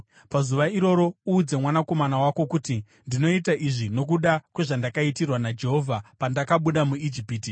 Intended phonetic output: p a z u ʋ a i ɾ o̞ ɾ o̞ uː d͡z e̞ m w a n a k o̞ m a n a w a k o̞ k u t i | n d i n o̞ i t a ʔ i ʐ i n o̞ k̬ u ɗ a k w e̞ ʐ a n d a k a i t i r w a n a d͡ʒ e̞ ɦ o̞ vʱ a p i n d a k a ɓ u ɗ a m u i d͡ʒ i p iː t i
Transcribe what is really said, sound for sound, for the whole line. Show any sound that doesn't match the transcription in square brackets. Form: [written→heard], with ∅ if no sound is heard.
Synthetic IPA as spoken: p a z u ʋ a i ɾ o̞ ɾ o̞ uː d͡z e̞ m w a n a k o̞ m a n a w a k o̞ k u t i | n d i n o̞ i t a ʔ i ʐ i n o̞ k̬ u ɗ a k w e̞ ʐ a n d a k a i t i r w a n a d͡ʒ e̞ ɦ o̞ vʱ a p [i→a] n d a k a ɓ u ɗ a m u i d͡ʒ i p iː t i